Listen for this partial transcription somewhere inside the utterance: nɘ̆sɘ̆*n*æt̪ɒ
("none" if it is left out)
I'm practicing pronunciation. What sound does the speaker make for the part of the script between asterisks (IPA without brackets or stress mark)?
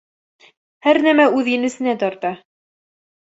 n